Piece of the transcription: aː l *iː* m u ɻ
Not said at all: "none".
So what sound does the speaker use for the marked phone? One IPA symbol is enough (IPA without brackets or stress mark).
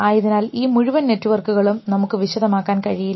iː